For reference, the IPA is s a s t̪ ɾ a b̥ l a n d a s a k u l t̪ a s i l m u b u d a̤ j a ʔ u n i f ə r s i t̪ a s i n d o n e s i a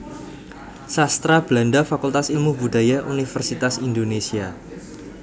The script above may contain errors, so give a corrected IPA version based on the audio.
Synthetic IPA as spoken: s a s t̪ ɾ a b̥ l a n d a f a k u l t̪ a s i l m u b u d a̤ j a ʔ u n i f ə r s i t̪ a s i n d o n e s i a